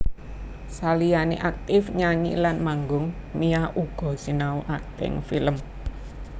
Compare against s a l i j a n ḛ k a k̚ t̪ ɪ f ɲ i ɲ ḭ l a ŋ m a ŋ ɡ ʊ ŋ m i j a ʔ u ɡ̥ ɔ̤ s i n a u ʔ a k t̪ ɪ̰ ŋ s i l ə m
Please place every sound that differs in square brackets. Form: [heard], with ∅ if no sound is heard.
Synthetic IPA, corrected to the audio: s a l i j a n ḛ [ʔ] a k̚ t̪ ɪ f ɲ [a] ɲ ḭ l a [n] m a ŋ ɡ ʊ ŋ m i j a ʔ u ɡ̥ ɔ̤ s i n a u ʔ a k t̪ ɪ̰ ŋ [f] i l ə m